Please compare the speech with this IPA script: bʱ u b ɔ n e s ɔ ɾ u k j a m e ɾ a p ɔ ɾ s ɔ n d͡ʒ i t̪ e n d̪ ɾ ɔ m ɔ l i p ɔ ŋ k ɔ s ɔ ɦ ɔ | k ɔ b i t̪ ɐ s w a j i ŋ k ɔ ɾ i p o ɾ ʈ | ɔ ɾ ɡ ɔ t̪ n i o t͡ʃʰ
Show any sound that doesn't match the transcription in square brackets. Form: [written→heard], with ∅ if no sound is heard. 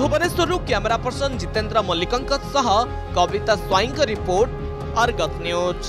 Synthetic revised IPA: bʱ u b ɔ n e s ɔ ɾ u k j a m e ɾ a p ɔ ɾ s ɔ n d͡ʒ i t̪ e n d̪ ɾ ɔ m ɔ l i [p→k] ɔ ŋ k ɔ s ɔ ɦ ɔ | k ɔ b i t̪ [ɐ→a] s w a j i ŋ k ɔ ɾ i p o ɾ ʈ | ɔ ɾ ɡ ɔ t̪ n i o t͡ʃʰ

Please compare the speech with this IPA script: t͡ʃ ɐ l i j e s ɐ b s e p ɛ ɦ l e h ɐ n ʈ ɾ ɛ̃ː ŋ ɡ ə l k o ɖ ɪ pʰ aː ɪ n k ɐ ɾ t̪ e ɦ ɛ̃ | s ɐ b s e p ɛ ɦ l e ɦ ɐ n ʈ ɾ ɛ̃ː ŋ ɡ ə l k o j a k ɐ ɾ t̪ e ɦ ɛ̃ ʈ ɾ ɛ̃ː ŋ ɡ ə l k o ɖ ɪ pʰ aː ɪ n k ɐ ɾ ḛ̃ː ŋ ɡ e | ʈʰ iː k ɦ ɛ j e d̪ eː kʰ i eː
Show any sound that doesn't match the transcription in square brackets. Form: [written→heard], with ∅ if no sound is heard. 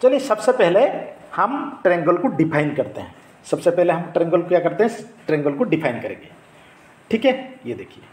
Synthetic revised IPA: t͡ʃ ɐ l i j e s ɐ b s e p ɛ ɦ l e h ɐ [n→m] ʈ ɾ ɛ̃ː ŋ ɡ ə l k o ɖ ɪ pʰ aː ɪ n k ɐ ɾ t̪ e ɦ ɛ̃ | s ɐ b s e p ɛ ɦ l e ɦ ɐ [n→m] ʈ ɾ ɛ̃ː ŋ ɡ ə l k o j a k ɐ ɾ t̪ e ɦ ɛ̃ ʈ ɾ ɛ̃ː ŋ ɡ ə l k o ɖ ɪ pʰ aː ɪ n k ɐ ɾ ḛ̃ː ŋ ɡ e | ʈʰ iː k ɦ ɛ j e d̪ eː kʰ i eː

